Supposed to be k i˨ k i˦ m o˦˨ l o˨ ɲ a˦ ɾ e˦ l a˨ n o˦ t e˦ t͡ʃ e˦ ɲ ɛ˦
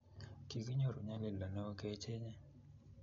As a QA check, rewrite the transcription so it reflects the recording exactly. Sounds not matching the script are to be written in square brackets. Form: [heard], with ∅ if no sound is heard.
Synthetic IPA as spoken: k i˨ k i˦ [ɲ] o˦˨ [ɾ] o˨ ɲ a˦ [l] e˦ l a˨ n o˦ [k] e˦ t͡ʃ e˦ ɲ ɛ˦

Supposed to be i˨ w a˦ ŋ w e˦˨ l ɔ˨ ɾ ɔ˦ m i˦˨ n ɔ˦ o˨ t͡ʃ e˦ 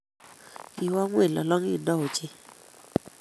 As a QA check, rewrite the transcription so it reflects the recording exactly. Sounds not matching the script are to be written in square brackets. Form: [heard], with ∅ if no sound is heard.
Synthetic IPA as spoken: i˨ w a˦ ŋ w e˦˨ l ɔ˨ [l] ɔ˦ [ŋ] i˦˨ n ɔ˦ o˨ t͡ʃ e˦

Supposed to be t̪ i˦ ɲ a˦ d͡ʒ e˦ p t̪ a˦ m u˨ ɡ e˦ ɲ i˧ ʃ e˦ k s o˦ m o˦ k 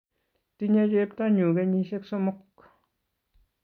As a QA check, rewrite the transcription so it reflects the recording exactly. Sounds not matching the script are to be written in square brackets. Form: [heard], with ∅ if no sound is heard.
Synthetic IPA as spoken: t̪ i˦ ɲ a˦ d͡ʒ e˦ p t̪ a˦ [ɲ] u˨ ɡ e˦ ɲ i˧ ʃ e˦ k s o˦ m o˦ k

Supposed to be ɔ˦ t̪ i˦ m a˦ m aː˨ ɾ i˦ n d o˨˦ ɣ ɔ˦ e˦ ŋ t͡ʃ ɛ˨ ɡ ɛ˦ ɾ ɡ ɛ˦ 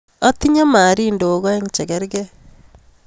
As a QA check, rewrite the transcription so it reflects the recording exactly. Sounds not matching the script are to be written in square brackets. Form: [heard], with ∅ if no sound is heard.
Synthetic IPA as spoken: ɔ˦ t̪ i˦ [ɲ] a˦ m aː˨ ɾ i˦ n d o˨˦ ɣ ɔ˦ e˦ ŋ t͡ʃ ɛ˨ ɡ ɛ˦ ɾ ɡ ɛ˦

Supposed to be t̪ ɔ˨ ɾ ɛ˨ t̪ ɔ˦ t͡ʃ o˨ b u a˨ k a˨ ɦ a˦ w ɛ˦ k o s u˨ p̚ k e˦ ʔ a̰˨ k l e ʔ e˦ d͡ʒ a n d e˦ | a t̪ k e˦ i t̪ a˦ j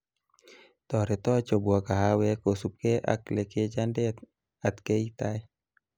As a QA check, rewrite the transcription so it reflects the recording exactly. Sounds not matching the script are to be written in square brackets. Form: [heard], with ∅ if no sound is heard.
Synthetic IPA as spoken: t̪ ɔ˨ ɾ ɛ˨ t̪ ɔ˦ t͡ʃ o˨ b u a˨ k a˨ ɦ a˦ w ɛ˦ k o s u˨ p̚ k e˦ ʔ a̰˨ k l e [k] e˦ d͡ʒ a n d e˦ | a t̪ k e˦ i t̪ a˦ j

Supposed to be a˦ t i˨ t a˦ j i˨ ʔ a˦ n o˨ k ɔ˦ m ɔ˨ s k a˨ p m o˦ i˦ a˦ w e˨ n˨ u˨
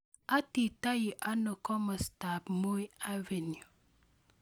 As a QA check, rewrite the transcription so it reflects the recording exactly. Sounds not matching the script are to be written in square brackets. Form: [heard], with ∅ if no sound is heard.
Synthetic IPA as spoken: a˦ t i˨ t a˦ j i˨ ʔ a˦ n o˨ k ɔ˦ m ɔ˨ s [t] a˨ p m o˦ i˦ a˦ [v] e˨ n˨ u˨

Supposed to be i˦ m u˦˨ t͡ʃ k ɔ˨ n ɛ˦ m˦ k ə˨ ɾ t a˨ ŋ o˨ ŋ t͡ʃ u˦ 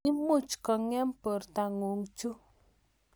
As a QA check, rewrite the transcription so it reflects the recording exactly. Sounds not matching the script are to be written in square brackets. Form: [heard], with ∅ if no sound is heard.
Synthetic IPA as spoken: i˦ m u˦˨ t͡ʃ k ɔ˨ [ŋ] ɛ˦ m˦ [p] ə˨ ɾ t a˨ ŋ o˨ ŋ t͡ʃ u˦

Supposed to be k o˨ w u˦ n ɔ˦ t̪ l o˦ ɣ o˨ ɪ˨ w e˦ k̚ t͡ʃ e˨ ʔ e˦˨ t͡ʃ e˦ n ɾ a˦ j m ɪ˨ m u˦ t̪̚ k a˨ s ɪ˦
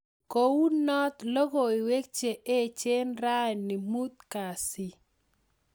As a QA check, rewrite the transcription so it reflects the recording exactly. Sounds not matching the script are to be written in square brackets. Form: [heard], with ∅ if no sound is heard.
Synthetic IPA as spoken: k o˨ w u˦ n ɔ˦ t̪ l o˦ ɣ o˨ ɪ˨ w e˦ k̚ t͡ʃ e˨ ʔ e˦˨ t͡ʃ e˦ n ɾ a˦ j [n] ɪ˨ m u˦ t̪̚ k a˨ s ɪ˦

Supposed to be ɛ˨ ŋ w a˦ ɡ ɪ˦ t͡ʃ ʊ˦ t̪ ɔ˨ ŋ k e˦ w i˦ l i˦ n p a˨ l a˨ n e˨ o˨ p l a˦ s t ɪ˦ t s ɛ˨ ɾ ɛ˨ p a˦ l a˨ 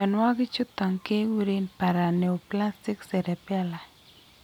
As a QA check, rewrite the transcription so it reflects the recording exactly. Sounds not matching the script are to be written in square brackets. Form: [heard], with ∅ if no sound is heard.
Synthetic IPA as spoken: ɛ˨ [n] w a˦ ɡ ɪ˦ t͡ʃ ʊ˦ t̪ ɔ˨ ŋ k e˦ w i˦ [ɾ] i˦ n p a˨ [ɾ] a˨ n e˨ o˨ p l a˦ s t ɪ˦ [k] s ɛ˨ ɾ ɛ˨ p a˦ l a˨

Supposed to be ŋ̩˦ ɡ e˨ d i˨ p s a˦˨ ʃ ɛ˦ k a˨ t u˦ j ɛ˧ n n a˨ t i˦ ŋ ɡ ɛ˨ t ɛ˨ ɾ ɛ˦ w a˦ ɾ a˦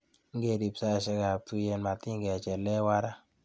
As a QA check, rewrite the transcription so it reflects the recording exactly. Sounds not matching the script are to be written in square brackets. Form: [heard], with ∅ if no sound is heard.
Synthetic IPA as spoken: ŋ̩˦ ɡ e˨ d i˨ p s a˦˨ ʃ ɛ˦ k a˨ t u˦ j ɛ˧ n [m] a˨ t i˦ ŋ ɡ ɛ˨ [t͡ʃ] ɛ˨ [l] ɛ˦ w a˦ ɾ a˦

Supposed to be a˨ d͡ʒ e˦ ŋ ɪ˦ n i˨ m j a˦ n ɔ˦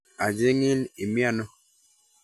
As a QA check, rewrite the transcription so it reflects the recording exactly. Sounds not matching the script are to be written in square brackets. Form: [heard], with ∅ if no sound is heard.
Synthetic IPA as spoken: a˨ d͡ʒ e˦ ŋ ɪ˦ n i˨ m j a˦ n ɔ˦

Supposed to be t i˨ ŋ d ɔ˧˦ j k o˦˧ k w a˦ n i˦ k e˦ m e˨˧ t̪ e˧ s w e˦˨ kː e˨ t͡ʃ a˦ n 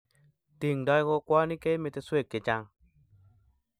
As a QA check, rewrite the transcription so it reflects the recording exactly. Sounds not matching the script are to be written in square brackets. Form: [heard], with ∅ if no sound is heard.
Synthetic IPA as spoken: t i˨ ŋ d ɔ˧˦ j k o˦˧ k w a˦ n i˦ k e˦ m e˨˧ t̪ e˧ s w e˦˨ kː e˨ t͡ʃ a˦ [ŋ]

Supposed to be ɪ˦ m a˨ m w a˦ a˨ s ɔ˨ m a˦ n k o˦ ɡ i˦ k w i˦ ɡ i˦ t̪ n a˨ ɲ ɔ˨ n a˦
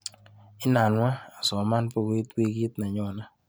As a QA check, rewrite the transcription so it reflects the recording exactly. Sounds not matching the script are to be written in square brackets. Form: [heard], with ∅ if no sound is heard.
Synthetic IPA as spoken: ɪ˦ [n] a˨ [n] w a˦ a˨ s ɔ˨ m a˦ n [p] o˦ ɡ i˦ [t] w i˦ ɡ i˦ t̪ n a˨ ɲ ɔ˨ n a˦

